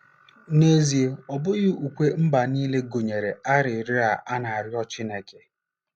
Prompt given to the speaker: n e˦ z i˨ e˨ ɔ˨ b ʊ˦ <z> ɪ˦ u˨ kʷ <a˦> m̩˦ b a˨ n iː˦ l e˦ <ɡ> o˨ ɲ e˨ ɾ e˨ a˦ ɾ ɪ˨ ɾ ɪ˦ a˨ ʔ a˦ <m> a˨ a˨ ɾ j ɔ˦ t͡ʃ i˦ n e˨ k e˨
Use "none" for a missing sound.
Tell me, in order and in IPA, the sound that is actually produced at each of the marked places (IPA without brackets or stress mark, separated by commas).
ɣ, e˦, ɡ, n